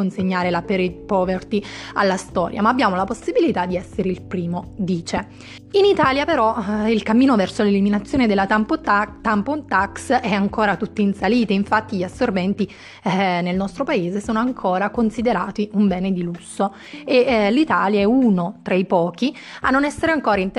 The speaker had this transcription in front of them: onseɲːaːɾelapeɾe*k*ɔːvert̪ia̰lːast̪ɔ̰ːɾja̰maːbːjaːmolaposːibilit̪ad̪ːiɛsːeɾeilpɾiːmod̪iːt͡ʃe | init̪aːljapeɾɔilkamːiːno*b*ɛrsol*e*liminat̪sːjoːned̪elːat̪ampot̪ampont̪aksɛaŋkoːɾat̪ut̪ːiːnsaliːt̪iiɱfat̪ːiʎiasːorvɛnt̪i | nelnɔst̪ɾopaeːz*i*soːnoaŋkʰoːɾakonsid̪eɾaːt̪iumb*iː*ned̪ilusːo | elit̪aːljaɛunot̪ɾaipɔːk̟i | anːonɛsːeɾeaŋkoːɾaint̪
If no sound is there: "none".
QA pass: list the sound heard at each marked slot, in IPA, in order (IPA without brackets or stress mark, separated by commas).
p, v, e, e, ɛː